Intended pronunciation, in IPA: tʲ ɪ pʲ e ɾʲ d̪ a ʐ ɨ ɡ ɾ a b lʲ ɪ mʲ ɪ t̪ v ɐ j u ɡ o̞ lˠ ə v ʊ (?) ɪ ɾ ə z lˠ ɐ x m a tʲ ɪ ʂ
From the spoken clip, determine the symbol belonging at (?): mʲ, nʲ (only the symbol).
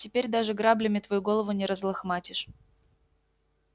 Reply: nʲ